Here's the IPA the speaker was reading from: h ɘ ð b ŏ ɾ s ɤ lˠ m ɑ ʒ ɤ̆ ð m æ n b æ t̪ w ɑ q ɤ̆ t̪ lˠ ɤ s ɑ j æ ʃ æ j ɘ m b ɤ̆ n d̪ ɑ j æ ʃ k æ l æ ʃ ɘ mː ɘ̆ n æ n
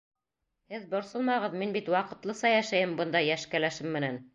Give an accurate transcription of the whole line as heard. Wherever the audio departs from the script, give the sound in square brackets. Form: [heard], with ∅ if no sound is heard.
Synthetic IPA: h ɘ ð b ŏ ɾ s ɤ lˠ m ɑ [ʁ] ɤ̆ ð m [i] n b [i] t̪ w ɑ q ɤ̆ t̪ lˠ ɤ s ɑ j æ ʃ æ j ɘ m b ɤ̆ n d̪ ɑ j æ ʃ k æ l æ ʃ ɘ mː ɘ̆ n æ n